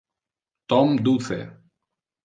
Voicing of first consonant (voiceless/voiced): voiceless